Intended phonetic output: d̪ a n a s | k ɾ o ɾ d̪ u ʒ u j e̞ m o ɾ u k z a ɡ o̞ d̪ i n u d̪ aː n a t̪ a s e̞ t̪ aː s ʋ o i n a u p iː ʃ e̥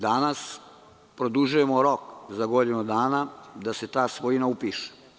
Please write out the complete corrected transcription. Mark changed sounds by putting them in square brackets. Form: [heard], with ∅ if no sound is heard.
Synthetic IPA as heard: d̪ a n a s | [p] ɾ o [∅] d̪ u ʒ u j e̞ m o ɾ [o] k z a ɡ o̞ d̪ i n u d̪ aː n a [d̪] a s e̞ t̪ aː s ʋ o i n a u p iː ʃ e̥